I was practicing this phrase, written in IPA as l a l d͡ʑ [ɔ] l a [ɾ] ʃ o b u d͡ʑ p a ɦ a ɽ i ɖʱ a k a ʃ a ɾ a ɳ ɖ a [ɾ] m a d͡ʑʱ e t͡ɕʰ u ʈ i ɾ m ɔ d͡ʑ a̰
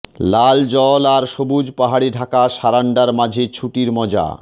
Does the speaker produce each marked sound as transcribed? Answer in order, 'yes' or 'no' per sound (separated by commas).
yes, yes, yes